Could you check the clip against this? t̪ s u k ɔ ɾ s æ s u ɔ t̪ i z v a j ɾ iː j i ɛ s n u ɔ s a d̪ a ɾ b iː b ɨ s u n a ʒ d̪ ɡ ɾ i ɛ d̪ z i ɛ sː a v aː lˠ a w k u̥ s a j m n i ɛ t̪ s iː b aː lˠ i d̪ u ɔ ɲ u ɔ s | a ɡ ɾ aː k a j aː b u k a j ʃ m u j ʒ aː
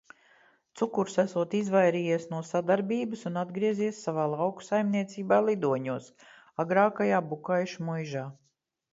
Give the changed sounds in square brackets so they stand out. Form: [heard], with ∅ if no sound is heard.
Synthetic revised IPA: t̪ s u k [u] ɾ s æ s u ɔ t̪ i z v a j ɾ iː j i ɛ s n u ɔ s a d̪ a ɾ b iː b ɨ s u n a [∅] d̪ ɡ ɾ i ɛ [∅] z i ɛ sː a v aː lˠ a w k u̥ s a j m n i ɛ t̪ s iː b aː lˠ i d̪ u ɔ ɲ u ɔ s | a ɡ ɾ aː k a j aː b u k a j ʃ m u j ʒ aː